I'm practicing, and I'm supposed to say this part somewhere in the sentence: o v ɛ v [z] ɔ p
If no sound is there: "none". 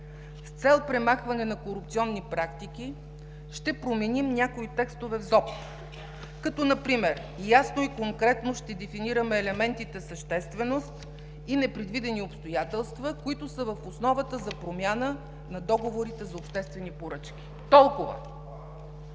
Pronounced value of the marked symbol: z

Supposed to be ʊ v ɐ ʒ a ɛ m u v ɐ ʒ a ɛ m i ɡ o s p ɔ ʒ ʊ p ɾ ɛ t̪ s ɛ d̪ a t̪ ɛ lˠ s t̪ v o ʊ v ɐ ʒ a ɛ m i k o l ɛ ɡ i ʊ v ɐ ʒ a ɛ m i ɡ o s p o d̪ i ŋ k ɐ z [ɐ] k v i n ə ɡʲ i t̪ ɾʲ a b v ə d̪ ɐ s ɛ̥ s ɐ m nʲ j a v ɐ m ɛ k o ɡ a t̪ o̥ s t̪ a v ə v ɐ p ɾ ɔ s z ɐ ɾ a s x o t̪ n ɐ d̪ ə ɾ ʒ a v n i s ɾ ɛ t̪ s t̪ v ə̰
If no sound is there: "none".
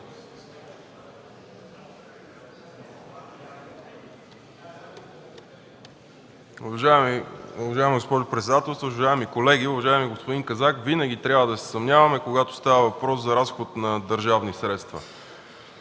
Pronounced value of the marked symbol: a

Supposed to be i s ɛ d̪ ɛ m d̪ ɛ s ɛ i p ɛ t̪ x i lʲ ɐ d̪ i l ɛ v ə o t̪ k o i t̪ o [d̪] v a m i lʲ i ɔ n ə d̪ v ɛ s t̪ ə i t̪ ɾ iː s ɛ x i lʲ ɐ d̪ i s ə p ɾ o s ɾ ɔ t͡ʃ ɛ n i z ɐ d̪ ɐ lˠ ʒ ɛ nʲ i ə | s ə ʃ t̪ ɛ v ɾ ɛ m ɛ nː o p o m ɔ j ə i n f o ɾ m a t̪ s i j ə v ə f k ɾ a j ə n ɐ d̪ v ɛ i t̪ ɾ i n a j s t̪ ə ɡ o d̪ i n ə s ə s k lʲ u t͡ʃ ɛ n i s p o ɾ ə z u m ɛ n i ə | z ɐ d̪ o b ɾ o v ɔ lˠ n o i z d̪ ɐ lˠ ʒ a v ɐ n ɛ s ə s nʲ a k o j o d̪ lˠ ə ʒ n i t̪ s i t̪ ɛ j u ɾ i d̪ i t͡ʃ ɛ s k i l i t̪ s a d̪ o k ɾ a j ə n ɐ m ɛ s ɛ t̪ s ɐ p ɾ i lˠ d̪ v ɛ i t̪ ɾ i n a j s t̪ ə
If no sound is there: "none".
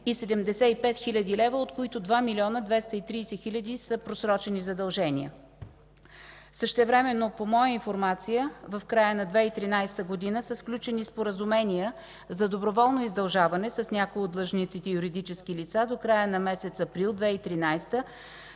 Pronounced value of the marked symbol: d̪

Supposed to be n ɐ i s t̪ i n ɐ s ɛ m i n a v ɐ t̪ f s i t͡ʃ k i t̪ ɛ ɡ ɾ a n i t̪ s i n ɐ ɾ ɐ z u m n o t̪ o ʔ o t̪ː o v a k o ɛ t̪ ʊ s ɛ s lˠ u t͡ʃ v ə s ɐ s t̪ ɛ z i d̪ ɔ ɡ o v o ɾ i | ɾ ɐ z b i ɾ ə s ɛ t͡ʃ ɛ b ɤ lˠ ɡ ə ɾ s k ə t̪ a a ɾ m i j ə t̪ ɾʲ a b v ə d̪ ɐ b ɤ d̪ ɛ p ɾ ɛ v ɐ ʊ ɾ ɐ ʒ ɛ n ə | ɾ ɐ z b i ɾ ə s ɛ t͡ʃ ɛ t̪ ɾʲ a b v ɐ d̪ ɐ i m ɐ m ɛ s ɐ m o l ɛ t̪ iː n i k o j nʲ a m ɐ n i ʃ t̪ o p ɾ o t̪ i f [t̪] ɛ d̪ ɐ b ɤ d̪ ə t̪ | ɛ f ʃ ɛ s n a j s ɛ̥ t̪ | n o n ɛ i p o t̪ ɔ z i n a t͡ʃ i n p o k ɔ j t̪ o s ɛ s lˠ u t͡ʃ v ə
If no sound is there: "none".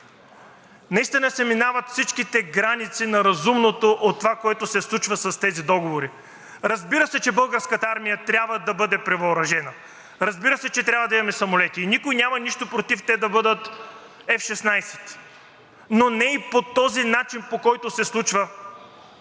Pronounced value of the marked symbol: t̪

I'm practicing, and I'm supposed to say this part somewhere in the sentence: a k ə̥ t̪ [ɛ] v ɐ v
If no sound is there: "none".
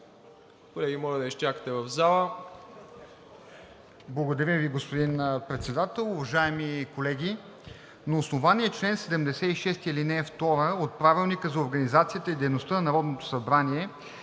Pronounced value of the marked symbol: ɛ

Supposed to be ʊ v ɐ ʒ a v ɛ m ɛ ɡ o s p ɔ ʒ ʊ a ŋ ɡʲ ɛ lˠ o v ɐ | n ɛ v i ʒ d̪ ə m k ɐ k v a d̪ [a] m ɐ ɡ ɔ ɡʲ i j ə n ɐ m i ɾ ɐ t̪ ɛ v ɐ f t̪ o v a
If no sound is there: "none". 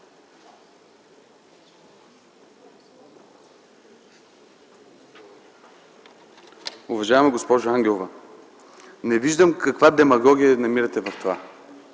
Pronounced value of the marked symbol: ɛ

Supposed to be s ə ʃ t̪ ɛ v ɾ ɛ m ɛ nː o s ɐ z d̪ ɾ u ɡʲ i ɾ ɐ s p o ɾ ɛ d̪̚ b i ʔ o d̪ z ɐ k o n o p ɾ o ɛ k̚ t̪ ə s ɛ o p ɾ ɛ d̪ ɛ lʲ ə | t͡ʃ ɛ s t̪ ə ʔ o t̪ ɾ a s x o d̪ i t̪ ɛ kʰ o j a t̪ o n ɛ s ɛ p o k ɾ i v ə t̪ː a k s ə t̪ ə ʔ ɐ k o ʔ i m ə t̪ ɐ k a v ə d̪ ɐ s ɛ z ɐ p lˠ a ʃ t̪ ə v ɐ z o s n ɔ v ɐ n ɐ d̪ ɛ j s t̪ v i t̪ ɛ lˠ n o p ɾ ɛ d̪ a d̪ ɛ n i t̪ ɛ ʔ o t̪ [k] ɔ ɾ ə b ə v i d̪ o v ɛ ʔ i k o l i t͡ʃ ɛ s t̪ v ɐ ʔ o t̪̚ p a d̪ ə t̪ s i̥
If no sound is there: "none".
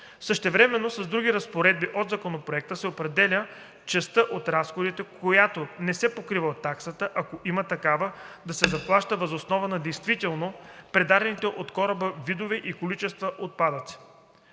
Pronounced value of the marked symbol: k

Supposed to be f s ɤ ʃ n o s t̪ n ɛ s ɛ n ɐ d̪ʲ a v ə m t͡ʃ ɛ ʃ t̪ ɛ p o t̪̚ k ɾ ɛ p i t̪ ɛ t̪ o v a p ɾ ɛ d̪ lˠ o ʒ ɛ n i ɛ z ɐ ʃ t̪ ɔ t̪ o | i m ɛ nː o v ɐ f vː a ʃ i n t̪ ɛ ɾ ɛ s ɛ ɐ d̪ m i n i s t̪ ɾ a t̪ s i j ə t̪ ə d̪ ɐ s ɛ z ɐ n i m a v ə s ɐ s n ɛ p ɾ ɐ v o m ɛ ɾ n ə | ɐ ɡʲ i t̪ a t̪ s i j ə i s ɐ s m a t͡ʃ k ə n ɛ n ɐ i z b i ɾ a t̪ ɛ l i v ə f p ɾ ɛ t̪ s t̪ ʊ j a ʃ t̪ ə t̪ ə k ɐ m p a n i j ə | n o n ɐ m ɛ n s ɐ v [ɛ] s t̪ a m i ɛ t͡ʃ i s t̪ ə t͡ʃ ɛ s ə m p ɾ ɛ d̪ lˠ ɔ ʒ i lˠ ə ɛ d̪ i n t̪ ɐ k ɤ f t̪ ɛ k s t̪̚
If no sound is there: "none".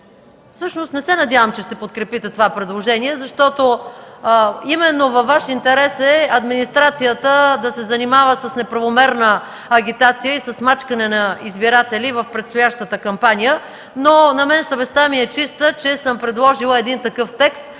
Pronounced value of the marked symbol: ɛ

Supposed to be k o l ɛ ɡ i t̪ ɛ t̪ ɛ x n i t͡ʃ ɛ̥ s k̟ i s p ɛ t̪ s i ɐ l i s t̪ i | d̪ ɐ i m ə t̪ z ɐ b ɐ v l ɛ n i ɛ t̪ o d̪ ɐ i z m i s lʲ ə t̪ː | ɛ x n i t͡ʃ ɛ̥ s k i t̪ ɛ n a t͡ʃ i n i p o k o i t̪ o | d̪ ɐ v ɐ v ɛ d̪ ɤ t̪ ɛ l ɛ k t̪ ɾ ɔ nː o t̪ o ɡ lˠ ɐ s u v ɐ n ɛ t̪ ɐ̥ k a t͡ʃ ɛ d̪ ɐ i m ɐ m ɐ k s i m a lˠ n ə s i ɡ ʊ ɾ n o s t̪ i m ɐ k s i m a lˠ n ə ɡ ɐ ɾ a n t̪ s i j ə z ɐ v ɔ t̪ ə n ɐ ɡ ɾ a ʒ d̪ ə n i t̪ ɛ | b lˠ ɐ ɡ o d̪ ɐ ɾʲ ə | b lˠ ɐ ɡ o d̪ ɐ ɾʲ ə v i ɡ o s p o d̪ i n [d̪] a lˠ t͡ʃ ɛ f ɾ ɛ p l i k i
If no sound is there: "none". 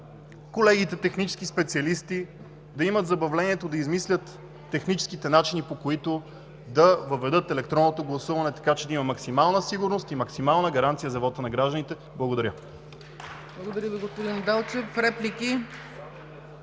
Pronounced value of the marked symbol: d̪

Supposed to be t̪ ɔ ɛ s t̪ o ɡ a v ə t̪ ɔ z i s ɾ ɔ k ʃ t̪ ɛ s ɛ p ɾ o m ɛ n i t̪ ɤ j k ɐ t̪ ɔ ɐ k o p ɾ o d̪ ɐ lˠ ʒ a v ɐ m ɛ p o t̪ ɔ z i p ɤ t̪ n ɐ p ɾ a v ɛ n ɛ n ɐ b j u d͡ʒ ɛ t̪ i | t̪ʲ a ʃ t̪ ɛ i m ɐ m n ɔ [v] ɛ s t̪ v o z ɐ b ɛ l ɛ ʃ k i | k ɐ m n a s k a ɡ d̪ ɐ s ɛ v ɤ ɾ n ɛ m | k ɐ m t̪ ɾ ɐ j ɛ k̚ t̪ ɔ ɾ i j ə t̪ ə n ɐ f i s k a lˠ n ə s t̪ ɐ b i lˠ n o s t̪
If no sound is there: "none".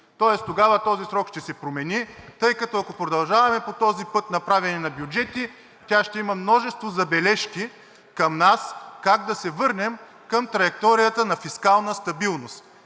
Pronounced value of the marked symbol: ʒ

